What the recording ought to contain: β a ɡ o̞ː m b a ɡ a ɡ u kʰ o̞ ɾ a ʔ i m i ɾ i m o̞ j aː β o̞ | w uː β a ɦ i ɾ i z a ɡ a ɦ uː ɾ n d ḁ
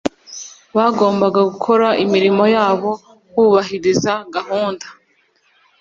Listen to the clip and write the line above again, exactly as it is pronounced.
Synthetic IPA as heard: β a ɡ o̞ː m b a ɡ a ɡ u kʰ o̞ ɾ a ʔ i m i ɾ i m o̞ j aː β o̞ | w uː β a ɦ i ɾ i z a ɡ a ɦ uː n d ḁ